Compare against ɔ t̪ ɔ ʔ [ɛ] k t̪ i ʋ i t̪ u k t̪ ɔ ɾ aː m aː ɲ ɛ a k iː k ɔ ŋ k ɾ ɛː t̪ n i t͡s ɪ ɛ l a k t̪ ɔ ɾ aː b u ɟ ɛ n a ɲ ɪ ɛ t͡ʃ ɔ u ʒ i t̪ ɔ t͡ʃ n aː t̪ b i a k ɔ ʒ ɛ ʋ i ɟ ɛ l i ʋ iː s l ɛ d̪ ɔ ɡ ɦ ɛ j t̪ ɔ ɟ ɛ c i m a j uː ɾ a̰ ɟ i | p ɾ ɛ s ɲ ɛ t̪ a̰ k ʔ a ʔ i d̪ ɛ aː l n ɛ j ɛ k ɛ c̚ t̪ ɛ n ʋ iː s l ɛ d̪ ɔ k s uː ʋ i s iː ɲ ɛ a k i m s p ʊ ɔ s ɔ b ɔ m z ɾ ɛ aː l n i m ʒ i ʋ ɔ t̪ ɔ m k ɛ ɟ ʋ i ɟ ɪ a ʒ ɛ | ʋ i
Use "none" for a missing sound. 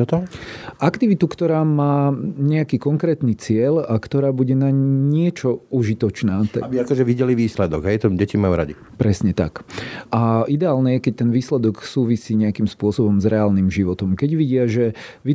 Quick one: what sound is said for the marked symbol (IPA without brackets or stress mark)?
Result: a